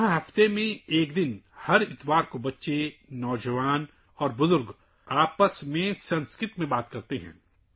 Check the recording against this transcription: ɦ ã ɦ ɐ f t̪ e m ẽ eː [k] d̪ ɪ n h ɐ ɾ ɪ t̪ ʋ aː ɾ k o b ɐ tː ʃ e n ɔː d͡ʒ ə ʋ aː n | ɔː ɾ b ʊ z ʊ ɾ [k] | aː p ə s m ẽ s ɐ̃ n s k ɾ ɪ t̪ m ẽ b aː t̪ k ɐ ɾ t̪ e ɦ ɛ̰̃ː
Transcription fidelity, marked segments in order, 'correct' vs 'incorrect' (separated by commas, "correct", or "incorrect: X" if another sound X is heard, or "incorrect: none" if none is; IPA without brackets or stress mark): correct, incorrect: ɡ